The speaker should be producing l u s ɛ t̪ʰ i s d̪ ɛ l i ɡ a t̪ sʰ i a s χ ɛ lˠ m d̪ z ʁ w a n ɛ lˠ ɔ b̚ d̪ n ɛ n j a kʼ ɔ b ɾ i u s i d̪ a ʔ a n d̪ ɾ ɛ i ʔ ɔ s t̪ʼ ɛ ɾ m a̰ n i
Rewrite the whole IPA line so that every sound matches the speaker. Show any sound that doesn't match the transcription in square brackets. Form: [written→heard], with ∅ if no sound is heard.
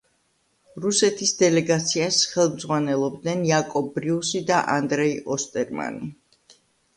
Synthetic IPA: [l→ɾ] u s ɛ t̪ʰ i s d̪ ɛ l [i→ɛ] ɡ a t̪ sʰ i a s χ ɛ lˠ m d̪ z ʁ w a n ɛ lˠ ɔ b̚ d̪ n ɛ n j a kʼ ɔ b ɾ i u s i d̪ a ʔ a n d̪ ɾ ɛ i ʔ ɔ s t̪ʼ ɛ ɾ m a̰ n i